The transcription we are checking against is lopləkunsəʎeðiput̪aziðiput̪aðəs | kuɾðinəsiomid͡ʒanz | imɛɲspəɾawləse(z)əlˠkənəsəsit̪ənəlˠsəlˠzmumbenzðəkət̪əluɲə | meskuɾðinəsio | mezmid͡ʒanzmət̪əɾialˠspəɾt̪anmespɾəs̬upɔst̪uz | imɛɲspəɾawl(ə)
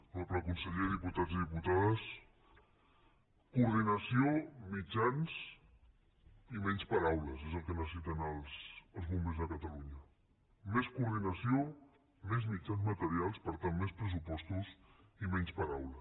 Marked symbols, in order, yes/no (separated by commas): yes, yes